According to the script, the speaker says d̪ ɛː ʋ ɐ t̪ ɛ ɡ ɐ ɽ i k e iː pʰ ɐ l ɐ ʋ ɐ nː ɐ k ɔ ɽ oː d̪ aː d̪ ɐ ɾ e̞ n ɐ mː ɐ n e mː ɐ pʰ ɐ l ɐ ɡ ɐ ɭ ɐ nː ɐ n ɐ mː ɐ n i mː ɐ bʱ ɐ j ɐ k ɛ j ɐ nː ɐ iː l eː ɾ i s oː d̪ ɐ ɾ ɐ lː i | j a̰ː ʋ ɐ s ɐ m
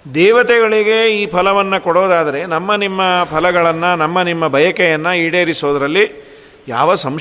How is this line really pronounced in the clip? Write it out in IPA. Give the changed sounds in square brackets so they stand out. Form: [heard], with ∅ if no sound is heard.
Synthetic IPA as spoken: d̪ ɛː ʋ ɐ t̪ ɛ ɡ ɐ [ɭ] i [ɡ] e iː pʰ ɐ l ɐ ʋ ɐ nː ɐ k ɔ ɽ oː d̪ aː d̪ ɐ ɾ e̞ n ɐ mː ɐ n [i] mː ɐ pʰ ɐ l ɐ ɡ ɐ ɭ ɐ nː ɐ n ɐ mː ɐ n i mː ɐ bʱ ɐ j ɐ k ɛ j ɐ nː ɐ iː [ɽ] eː ɾ i s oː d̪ ɐ ɾ ɐ lː i | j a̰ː ʋ ɐ s ɐ m